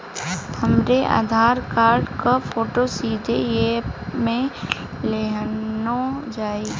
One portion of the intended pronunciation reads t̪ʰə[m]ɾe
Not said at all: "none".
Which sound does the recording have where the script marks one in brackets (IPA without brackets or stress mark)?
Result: m